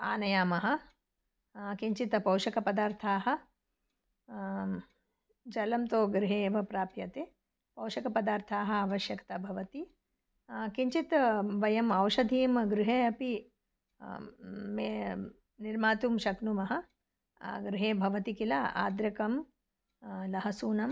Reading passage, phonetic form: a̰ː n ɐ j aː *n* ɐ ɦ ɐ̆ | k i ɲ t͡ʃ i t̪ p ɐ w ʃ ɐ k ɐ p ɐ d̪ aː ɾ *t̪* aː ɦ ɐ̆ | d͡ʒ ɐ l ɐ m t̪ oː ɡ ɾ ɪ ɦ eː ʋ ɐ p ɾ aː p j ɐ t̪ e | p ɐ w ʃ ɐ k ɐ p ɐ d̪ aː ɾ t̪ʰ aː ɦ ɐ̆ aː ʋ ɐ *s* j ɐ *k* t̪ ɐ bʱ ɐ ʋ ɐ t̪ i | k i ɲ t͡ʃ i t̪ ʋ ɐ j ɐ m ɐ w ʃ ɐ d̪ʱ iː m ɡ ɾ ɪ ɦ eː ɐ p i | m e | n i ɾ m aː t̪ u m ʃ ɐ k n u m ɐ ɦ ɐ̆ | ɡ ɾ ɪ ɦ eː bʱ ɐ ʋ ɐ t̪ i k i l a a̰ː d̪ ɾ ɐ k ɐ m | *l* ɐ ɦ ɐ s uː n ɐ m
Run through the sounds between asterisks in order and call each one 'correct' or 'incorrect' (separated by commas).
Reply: incorrect, incorrect, incorrect, correct, correct